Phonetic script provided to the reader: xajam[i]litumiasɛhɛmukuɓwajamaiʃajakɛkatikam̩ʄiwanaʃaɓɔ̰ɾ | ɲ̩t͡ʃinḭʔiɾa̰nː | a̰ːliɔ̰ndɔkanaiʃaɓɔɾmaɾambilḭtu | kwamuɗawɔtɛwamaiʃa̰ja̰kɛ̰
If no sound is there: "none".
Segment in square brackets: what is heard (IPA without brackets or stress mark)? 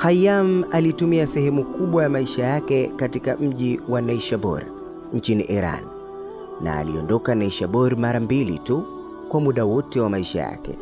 a